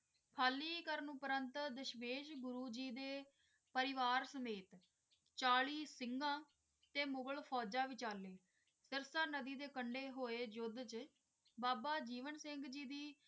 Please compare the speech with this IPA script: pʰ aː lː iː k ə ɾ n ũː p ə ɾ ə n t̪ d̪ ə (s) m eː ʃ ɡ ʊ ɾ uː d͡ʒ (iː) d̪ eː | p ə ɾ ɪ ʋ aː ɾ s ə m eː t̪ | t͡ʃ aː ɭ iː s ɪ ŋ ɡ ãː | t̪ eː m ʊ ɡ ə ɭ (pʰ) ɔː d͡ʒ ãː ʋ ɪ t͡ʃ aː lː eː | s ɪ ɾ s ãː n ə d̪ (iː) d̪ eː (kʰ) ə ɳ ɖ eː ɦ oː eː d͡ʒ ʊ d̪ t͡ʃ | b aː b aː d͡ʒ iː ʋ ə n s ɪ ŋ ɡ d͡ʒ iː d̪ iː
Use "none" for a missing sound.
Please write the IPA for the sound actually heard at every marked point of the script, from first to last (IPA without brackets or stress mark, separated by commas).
ʃ, iː, pʰ, iː, k